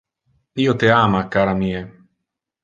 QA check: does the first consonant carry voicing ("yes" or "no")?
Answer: no